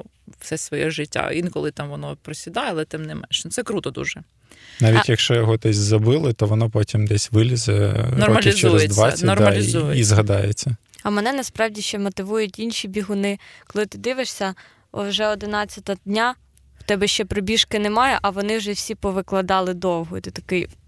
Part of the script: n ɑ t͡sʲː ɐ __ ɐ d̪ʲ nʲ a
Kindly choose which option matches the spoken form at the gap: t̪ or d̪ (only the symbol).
t̪